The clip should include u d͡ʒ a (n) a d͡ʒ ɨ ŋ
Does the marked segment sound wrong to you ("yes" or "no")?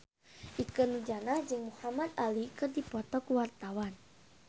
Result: no